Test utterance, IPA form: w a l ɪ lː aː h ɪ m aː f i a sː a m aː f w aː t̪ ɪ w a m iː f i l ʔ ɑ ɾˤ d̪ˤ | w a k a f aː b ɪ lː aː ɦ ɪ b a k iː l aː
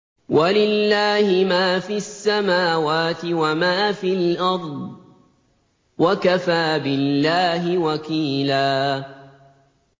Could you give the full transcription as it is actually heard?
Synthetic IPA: w a l ɪ lː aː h ɪ m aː f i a sː a m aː w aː t̪ ɪ w a m aː f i l ʔ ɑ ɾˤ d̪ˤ | w a k a f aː b ɪ lː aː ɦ ɪ w a k iː l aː